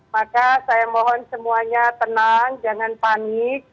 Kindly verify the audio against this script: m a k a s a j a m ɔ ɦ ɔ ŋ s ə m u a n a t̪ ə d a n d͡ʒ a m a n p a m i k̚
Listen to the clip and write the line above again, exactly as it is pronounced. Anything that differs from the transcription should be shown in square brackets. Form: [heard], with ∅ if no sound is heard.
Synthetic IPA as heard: m a k a s a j a m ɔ ɦ ɔ [n] s ə m u a [ɲ] a t̪ ə [n] a [ŋ] d͡ʒ a [ŋ] a n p a [n] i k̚